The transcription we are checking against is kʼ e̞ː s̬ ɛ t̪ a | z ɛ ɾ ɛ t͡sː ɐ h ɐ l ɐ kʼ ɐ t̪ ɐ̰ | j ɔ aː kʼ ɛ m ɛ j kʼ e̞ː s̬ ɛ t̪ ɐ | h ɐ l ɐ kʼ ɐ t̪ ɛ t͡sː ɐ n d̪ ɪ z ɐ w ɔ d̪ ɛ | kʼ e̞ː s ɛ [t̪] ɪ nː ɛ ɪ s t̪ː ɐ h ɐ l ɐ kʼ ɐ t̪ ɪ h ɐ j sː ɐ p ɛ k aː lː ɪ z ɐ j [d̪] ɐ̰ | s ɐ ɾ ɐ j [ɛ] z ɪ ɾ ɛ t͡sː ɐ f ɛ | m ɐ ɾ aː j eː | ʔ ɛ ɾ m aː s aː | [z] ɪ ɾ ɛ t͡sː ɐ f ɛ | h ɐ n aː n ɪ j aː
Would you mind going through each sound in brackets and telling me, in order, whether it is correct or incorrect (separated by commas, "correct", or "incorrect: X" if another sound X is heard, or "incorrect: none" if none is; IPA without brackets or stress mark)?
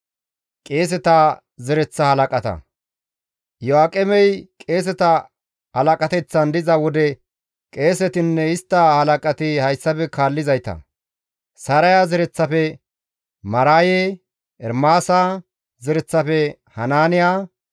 correct, incorrect: t̪, incorrect: a, correct